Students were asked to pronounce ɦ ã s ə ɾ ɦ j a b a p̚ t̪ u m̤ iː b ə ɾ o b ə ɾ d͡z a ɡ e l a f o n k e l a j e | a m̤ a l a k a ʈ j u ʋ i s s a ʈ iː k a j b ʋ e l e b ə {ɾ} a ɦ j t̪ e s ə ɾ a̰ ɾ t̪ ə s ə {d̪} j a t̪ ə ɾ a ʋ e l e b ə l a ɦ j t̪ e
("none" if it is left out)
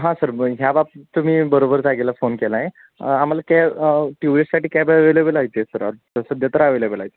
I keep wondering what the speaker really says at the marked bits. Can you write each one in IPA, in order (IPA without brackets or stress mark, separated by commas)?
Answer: l, d̪